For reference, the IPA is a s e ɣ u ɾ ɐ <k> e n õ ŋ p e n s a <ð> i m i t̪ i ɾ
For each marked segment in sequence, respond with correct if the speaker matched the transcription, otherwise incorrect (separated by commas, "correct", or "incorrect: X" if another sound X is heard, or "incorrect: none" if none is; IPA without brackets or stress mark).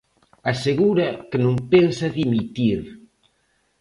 correct, correct